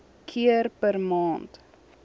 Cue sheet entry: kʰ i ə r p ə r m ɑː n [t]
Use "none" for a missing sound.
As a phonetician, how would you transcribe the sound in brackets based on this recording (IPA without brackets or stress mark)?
t